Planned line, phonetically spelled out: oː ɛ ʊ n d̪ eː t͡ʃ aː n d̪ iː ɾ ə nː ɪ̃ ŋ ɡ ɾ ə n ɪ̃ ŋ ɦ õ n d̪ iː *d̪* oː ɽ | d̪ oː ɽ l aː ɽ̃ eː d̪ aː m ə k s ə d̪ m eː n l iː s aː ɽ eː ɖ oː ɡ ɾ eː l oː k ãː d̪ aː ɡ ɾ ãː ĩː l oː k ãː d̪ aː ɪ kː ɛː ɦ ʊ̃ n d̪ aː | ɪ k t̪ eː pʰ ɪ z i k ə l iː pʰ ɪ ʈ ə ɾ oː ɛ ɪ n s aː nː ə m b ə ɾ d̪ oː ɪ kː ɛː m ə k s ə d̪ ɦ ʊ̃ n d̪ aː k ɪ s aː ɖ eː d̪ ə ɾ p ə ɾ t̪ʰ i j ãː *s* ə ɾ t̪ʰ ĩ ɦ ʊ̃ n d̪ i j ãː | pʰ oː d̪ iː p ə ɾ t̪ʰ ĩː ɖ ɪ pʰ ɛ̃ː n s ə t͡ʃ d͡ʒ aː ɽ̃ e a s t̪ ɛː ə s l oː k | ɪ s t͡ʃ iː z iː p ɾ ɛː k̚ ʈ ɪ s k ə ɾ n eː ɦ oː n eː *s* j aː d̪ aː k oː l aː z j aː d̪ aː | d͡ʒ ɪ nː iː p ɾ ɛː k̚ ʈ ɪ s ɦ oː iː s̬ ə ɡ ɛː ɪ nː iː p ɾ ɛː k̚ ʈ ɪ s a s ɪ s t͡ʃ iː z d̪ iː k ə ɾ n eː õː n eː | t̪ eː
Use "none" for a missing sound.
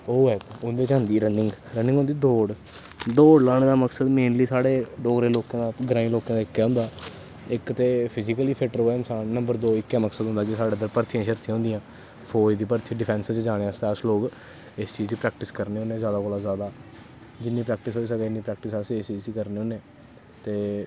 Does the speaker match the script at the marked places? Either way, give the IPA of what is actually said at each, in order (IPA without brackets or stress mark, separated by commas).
d̪, ʃ, z